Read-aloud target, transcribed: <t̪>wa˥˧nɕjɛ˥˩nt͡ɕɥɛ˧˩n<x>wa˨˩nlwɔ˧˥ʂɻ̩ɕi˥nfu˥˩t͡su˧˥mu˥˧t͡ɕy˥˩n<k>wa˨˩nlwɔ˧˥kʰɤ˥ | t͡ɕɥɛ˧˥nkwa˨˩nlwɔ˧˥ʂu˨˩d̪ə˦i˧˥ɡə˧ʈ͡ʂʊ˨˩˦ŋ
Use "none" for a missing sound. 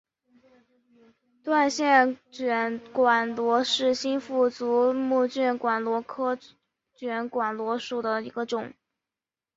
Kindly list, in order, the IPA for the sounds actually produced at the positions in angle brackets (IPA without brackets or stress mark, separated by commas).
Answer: t̪, k, k